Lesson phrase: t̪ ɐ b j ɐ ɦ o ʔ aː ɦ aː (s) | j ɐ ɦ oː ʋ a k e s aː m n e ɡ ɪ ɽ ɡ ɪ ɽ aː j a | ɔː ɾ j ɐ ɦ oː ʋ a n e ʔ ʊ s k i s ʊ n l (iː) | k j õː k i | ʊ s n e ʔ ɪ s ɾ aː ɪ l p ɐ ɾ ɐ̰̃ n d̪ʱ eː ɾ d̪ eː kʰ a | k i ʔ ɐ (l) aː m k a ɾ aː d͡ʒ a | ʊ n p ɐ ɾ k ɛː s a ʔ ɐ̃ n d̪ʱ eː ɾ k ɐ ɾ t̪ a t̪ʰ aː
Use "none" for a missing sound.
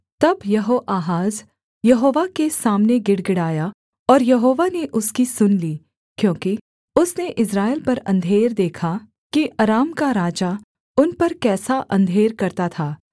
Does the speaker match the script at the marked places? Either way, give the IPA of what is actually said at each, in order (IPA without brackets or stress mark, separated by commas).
z, iː, ɾ